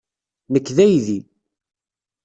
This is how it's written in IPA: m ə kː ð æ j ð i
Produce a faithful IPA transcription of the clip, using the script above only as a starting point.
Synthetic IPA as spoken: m ə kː ð æ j ð i